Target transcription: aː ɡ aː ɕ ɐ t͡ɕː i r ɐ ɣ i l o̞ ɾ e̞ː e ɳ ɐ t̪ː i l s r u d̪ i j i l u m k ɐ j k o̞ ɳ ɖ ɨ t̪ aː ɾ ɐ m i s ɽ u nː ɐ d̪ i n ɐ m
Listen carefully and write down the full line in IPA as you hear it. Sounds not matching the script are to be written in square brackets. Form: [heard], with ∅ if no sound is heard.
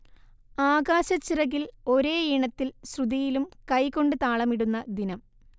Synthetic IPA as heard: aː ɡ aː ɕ ɐ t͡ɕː i r ɐ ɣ i l o̞ ɾ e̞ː [i] ɳ ɐ t̪ː i l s r u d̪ i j i l u m k ɐ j k o̞ ɳ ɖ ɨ t̪ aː [ɭ] ɐ m i [∅] ɽ u nː ɐ d̪ i n ɐ m